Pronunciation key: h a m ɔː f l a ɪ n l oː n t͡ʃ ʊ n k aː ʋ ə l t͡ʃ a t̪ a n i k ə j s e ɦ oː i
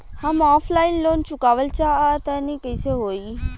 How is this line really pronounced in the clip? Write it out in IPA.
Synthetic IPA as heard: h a m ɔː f l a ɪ n l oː n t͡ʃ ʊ k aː ʋ ə l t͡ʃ a t̪ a n i k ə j s e ɦ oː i